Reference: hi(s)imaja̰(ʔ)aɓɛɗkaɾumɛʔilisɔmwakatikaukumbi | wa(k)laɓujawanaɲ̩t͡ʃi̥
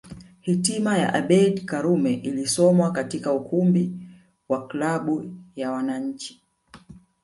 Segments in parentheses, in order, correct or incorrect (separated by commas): incorrect, correct, correct